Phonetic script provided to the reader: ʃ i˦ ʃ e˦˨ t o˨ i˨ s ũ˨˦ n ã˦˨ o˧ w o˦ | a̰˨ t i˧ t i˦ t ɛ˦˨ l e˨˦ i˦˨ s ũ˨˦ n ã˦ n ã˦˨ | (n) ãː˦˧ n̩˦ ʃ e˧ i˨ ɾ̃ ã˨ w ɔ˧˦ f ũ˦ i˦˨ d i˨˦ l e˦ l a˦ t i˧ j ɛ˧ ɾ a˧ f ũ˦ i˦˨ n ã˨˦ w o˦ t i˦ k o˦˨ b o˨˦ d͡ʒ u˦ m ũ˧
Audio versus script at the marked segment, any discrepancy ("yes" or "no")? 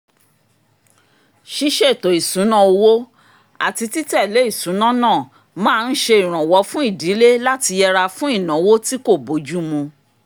yes